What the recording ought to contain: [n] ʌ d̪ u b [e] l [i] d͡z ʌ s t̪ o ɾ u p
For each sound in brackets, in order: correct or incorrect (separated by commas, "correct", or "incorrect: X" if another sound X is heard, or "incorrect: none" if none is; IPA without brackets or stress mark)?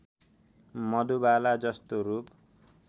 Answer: incorrect: m, incorrect: a, incorrect: a